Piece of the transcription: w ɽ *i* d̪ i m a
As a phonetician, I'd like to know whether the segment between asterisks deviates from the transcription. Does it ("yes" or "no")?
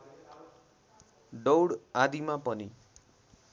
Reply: yes